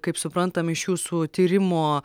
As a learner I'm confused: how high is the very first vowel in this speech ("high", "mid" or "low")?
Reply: low